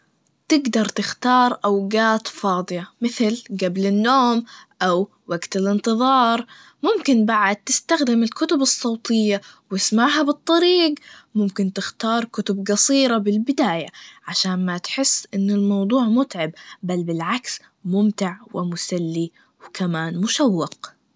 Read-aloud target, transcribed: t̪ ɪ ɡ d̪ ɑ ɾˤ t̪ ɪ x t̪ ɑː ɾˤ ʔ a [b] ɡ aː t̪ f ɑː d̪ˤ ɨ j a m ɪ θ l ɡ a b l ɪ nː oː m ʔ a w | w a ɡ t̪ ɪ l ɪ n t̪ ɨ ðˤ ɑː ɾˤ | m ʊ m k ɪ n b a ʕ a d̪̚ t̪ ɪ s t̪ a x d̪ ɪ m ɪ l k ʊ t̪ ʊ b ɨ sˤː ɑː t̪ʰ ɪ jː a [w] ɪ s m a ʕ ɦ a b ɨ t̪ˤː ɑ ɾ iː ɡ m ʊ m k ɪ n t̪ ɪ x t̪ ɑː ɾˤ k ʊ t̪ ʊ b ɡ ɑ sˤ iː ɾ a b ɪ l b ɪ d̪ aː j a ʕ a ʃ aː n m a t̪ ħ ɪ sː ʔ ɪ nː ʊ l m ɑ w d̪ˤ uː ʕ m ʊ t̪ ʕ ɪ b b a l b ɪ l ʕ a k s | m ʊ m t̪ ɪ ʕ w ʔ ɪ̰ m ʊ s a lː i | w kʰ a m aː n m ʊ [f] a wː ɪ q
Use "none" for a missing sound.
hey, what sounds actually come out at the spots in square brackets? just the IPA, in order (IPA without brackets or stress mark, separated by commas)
w, w, ʃ